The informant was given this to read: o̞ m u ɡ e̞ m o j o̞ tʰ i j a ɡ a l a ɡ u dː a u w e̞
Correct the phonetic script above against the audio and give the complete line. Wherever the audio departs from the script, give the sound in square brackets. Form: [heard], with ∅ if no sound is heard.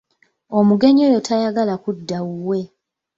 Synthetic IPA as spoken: o̞ m u ɡ e̞ [ɲ] o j o̞ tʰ [a] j a ɡ a l a [k] u dː a u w e̞